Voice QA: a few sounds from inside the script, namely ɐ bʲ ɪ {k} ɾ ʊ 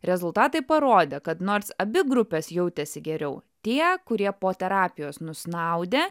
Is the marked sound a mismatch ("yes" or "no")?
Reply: yes